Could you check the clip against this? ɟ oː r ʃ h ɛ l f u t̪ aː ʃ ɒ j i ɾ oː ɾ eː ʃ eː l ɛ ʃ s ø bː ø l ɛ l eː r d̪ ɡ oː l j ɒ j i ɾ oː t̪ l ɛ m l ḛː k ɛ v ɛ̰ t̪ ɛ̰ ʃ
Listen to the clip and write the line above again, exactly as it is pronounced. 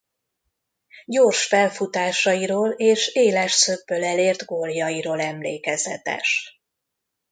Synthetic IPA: ɟ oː r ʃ f ɛ l f u t̪ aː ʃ ɒ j i ɾ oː l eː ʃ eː l ɛ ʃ s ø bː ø l ɛ l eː r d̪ ɡ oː l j ɒ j i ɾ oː l ɛ m l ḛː k ɛ z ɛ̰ t̪ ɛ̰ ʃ